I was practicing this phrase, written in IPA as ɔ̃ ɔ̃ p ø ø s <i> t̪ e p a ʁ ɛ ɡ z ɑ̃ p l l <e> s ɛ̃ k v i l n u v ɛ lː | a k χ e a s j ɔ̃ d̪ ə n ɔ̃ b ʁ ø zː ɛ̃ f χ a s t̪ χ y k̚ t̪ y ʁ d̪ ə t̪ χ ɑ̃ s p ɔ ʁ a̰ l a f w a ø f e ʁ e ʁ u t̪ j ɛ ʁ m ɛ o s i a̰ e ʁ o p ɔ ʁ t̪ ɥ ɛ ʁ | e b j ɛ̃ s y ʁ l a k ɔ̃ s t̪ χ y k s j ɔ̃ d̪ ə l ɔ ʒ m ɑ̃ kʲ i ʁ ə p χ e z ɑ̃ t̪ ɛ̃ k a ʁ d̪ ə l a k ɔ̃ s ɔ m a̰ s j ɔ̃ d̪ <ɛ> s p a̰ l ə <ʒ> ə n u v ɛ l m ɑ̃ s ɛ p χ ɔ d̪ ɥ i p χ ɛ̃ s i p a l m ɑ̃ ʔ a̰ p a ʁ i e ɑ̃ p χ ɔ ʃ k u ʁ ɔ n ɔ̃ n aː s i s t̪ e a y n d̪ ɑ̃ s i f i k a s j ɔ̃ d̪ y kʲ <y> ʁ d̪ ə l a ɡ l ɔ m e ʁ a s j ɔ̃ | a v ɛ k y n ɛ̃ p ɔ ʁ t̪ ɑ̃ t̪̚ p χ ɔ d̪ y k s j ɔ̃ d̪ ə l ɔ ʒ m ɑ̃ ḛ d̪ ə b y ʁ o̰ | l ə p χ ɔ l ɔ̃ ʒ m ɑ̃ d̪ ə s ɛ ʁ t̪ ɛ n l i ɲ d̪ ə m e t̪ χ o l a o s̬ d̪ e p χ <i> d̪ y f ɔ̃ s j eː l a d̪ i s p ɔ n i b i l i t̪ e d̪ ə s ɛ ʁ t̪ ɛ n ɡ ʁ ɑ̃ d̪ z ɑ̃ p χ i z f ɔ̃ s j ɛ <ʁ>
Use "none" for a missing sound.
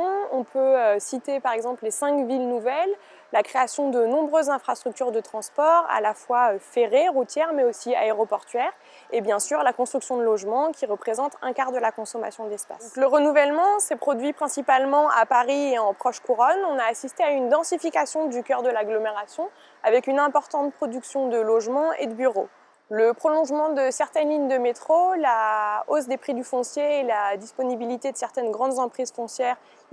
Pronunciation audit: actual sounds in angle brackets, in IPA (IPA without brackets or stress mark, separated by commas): i, e, ɛ, ʁ, œ, i, ʁ